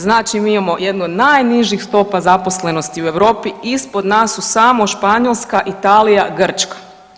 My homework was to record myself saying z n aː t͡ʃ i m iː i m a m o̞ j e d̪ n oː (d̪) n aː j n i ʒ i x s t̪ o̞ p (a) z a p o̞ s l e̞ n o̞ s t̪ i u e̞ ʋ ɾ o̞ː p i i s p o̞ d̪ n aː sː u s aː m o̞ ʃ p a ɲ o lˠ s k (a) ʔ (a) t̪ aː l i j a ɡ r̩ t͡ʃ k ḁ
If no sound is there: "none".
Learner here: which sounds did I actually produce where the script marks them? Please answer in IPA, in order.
d̪, a, a, i

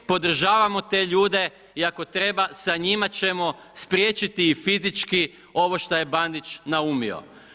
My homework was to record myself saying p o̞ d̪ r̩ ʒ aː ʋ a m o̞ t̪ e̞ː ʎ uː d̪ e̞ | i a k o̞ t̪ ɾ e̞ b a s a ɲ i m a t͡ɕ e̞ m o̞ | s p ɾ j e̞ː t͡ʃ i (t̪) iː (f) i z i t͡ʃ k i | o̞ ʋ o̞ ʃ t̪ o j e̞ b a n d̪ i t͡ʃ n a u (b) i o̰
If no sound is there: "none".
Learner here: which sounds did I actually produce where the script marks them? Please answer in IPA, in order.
t̪, f, m

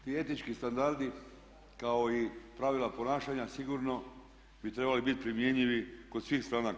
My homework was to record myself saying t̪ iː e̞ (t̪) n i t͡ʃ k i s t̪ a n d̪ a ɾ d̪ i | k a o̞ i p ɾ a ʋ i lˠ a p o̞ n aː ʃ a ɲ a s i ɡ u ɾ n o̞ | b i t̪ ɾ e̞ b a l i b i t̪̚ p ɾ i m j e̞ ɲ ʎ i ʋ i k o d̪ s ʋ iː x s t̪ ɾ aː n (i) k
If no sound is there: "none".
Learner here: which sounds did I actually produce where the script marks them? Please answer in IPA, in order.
t̪, a

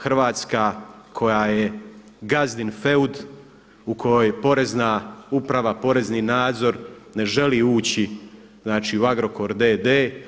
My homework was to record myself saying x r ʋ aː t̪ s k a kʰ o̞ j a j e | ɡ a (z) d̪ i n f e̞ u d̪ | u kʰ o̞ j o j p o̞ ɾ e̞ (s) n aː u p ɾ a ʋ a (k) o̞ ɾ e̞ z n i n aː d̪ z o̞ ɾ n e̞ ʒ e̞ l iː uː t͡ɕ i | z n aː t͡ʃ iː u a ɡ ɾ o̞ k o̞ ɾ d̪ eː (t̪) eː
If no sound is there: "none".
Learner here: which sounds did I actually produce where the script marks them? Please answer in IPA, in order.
z, z, p, d̪

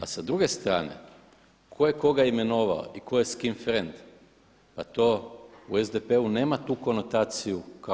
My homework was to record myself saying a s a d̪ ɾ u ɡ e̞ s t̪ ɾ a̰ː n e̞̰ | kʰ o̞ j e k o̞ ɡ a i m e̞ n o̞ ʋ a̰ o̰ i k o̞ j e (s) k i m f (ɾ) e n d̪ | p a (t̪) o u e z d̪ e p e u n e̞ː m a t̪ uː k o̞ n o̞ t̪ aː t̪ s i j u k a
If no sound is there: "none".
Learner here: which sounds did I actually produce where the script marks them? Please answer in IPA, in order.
s, ɾ, t̪

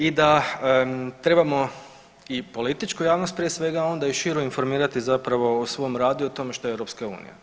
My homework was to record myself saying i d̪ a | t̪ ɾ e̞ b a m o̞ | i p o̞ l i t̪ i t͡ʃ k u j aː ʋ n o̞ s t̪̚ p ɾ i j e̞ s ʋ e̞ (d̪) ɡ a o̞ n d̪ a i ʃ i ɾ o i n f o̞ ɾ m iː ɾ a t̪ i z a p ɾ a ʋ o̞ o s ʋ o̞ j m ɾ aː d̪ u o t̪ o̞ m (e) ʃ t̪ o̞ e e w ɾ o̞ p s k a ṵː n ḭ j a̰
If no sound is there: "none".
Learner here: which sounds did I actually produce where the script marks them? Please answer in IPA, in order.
none, e

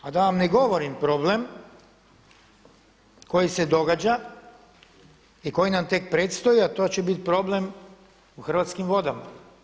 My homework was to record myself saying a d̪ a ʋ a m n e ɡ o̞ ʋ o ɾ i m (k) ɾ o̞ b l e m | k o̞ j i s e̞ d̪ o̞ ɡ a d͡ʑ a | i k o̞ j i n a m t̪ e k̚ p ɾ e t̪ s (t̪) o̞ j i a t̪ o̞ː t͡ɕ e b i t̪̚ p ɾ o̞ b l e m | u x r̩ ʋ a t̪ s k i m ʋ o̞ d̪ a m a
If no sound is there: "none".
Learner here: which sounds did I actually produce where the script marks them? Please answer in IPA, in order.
p, t̪

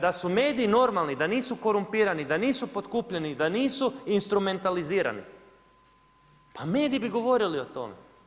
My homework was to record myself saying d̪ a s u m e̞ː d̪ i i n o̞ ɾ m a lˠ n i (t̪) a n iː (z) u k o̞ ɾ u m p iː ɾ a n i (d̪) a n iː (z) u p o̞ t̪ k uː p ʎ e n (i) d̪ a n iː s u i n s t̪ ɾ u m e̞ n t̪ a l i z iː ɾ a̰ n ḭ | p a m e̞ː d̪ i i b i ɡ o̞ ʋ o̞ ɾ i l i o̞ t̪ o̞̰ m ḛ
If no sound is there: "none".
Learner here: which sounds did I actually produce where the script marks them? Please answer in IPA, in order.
d̪, s, d̪, s, i

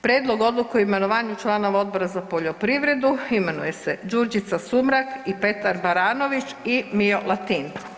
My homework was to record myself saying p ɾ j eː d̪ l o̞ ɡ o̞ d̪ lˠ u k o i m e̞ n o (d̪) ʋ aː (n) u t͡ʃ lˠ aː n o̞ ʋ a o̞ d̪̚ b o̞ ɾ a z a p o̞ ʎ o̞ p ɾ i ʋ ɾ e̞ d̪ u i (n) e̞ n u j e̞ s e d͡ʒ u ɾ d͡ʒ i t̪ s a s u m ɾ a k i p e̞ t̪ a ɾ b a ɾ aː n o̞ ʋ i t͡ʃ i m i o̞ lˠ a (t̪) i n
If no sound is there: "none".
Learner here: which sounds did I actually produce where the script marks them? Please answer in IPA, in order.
none, ɲ, m, t̪

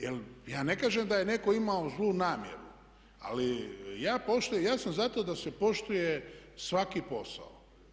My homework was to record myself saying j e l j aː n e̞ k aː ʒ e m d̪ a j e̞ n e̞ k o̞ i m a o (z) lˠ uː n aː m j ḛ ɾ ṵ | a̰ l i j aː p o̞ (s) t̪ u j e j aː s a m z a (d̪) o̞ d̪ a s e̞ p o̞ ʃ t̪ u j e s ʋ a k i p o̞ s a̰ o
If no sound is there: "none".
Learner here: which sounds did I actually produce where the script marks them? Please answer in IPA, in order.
z, ʃ, t̪

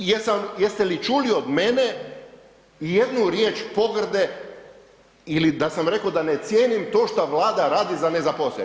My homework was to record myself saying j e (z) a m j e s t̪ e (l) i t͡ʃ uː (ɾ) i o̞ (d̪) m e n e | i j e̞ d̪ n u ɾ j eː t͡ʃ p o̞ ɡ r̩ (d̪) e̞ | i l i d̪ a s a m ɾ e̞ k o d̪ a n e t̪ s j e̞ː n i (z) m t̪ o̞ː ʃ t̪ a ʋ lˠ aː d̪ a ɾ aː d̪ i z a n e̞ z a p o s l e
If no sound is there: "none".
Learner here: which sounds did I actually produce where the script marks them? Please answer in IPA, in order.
s, l, l, d̪, d̪, none

